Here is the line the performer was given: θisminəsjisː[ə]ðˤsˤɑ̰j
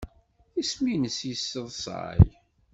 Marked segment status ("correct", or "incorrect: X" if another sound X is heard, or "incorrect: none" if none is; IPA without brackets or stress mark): correct